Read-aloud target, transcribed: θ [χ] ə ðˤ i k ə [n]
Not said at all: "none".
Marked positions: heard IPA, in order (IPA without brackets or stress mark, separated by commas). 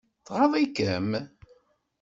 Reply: ʁ, m